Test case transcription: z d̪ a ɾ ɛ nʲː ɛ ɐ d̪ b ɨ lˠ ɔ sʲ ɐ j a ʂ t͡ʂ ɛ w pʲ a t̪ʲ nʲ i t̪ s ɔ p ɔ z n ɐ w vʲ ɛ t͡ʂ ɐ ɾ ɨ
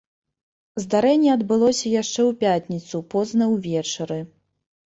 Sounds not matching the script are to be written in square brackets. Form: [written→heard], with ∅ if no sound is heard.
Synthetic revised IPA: z d̪ a ɾ ɛ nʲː ɛ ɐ d̪ b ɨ lˠ ɔ sʲ ɐ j a ʂ t͡ʂ ɛ w pʲ a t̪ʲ nʲ i t̪ s [ɔ→u] p ɔ z n ɐ w vʲ ɛ t͡ʂ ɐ ɾ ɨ